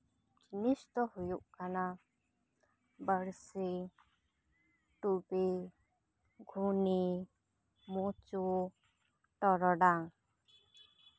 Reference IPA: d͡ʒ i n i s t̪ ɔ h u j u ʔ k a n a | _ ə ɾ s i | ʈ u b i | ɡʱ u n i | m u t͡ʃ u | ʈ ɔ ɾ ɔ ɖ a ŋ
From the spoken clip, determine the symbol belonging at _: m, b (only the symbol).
b